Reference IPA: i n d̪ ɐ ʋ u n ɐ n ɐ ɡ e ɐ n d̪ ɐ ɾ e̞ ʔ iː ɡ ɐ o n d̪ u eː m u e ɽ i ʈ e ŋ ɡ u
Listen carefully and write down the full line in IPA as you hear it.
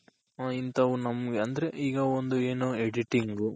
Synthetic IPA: i n t̪ ɐ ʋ u n ɐ m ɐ ɡ e ɐ n d̪ ɐ ɾ e̞ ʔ iː ɡ ɐ o n d̪ u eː n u e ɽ i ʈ i ŋ ɡ u

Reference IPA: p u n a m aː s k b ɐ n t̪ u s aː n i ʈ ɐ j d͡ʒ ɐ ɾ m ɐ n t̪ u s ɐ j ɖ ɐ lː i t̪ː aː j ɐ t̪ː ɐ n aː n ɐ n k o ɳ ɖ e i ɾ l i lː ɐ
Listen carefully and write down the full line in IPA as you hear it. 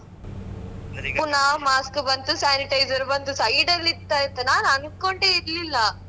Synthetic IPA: p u n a m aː s k b ɐ n t̪ u s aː n i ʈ ɐ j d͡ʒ ɐ ɾ b ɐ n t̪ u s ɐ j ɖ ɐ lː i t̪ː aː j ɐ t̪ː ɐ n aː n ɐ n k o ɳ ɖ e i ɾ l i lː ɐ

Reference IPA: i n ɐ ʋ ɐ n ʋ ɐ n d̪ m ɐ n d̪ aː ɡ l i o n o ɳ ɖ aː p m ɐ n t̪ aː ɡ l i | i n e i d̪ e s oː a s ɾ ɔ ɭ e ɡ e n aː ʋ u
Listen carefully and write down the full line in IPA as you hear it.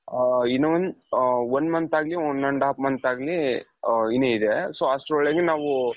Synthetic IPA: i n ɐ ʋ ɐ n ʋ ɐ n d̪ m ɐ n t̪ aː ɡ l i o n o ɳ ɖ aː p m ɐ n t̪ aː ɡ l i | i n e i d̪ e s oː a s ɾ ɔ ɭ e ɡ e n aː ʋ u

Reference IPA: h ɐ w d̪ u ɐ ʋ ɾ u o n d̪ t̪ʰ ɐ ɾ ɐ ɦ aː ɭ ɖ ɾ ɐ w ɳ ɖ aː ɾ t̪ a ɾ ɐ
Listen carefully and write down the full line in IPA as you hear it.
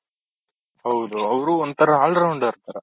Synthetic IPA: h ɐ w d̪ u ɐ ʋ ɾ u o n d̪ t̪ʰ ɐ ɾ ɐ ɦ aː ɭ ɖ ɾ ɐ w ɳ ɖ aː ɾ t̪ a ɾ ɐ

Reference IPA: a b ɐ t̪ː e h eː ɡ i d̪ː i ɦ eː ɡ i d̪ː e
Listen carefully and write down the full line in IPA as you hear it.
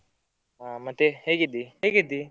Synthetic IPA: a m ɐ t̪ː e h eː ɡ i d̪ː i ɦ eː ɡ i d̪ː i

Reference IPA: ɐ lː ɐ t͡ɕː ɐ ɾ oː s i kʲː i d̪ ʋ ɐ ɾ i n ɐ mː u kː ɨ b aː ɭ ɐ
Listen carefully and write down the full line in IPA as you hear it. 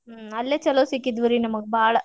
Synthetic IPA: ɐ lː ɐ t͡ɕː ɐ l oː s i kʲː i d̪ ʋ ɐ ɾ i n ɐ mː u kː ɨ b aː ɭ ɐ

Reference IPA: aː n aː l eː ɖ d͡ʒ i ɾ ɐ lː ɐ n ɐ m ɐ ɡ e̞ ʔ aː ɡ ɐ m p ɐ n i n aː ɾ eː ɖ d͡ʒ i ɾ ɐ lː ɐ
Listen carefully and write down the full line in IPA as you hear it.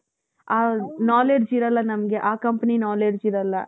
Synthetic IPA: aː n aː l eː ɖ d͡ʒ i ɾ ɐ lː ɐ n ɐ m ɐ ɡ e̞ ʔ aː k ɐ m p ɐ n i n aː l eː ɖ d͡ʒ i ɾ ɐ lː ɐ

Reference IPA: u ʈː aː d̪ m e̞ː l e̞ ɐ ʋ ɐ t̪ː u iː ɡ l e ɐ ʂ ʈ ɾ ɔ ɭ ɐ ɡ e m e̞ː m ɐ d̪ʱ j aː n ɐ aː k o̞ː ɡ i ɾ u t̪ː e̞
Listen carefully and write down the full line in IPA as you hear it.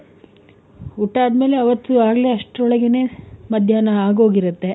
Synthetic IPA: u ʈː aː d̪ m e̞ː l e̞ ɐ ʋ ɐ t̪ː u aː ɡ l e ɐ ʂ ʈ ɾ ɔ ɭ ɐ ɡ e n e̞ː m ɐ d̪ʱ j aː n ɐ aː ɡ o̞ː ɡ i ɾ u t̪ː e̞

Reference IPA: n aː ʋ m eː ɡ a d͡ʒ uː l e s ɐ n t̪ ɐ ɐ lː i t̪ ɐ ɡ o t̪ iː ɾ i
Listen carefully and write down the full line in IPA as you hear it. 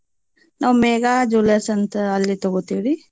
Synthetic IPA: n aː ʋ m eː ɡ a d͡ʒ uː l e s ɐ n t̪ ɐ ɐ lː i t̪ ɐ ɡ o t̪ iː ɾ i

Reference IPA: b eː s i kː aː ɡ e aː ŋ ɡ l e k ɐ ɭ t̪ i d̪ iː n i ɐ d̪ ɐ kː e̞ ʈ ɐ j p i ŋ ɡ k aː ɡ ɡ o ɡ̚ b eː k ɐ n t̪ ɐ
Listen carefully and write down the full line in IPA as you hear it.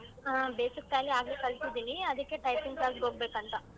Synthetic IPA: b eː s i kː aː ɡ i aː ɡ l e k ɐ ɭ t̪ i d̪ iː n i ɐ d̪ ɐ kː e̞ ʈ ɐ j p i ŋ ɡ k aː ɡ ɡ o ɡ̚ b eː k ɐ n t̪ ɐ

